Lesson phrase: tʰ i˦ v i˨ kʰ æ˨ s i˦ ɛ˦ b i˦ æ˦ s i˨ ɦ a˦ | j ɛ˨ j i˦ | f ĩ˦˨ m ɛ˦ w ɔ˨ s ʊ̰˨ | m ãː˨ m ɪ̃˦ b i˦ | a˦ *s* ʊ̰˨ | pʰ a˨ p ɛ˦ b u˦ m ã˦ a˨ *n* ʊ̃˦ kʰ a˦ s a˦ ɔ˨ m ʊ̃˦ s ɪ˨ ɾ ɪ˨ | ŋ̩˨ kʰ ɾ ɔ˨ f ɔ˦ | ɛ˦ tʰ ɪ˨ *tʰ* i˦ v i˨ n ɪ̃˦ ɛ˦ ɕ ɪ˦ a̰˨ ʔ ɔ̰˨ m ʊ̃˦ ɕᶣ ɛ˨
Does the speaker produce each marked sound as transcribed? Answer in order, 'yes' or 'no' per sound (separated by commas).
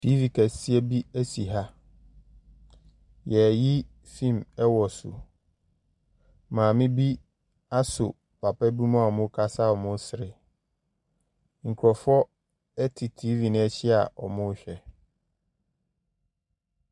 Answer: yes, no, yes